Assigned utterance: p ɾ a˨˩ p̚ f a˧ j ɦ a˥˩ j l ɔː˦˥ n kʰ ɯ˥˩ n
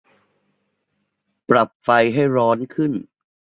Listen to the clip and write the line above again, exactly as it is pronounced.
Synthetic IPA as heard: p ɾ a˨˩ p̚ f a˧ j ɦ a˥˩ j ɾ ɔː˦˥ n kʰ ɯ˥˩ n